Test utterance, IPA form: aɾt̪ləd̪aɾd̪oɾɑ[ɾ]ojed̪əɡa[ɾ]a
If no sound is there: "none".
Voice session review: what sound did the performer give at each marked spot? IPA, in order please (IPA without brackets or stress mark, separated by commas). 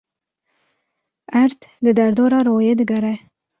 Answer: ɾ, ɾ